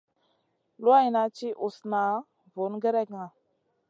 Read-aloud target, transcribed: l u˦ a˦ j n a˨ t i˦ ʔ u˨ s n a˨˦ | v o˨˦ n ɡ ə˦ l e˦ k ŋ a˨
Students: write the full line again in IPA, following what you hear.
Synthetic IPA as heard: l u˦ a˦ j n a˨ t͡ʃ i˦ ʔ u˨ s n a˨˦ | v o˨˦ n ɡ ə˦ ɾ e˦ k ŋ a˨

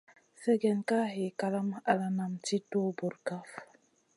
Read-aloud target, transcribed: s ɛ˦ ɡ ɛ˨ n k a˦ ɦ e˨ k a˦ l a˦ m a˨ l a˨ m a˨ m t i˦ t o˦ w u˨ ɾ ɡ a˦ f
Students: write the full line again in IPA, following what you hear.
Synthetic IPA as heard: s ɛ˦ ɡ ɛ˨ n k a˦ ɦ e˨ k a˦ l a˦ m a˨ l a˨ n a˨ m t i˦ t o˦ b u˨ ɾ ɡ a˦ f

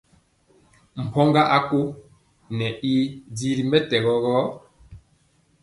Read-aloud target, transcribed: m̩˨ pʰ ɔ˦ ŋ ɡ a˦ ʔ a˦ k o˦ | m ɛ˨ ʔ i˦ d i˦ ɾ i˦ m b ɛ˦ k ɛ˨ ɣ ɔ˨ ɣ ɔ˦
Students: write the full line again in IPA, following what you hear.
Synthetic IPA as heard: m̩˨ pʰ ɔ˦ ŋ ɡ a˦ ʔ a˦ k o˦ | n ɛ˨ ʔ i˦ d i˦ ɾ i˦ m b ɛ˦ t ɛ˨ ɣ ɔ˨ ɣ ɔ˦

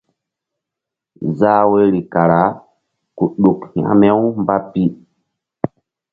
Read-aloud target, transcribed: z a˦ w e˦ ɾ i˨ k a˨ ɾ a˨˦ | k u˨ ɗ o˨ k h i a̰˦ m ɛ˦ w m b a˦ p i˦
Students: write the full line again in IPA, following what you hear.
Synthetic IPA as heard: z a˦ w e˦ ɾ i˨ k a˨ ɾ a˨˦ | k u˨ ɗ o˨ k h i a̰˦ m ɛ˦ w m b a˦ p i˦

